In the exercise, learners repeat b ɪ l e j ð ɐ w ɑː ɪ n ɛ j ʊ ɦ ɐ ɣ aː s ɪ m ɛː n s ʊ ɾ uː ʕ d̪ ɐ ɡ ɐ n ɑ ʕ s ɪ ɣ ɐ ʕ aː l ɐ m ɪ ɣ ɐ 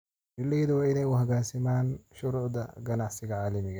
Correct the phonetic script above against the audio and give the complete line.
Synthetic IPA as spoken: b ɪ l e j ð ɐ w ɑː ɪ n ɛ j ʊ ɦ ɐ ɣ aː s ɪ m aː n ʃ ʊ ɾ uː ʕ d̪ ɐ ɡ ɐ n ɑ ʕ s ɪ ɣ ɐ ʕ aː l ɐ m ɪ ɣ ɐ